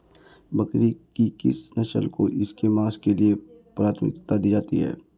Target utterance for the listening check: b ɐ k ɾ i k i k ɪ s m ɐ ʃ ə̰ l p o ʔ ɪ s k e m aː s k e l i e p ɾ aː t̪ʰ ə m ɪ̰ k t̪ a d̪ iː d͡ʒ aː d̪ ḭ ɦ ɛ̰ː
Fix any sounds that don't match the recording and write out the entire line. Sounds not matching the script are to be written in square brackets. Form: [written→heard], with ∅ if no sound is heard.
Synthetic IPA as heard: b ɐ k ɾ i k i k ɪ s [m→n] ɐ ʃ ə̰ l [p→k] o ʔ ɪ s k e m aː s k e l i e p ɾ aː t̪ʰ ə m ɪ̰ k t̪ a d̪ iː d͡ʒ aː [d̪→t̪] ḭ ɦ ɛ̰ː